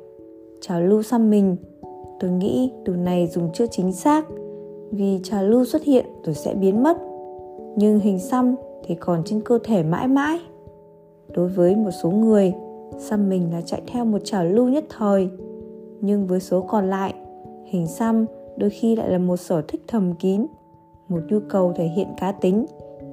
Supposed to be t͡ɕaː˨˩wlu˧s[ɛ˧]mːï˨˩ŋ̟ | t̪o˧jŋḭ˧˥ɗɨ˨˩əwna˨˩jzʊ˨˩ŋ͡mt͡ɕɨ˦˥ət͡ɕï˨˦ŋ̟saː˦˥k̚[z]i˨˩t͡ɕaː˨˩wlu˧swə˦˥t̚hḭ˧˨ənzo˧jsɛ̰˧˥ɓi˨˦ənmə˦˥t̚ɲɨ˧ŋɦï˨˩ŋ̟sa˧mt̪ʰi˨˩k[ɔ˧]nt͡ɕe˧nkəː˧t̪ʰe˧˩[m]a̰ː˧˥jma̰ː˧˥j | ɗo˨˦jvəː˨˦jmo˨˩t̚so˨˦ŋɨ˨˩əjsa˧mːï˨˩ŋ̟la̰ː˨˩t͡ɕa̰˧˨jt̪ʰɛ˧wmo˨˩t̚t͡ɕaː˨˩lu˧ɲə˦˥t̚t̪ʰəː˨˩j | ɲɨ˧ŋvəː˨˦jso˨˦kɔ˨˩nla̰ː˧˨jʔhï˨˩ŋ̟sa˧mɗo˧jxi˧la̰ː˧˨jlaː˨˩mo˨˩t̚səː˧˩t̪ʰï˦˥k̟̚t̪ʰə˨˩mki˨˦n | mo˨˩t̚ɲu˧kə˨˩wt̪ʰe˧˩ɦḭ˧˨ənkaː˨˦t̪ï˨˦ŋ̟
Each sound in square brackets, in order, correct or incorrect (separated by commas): incorrect, incorrect, incorrect, correct